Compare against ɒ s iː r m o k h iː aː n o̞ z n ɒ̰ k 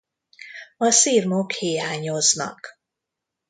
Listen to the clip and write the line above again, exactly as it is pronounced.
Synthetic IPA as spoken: ɒ s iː r m o k h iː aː ɲ o̞ z n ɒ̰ k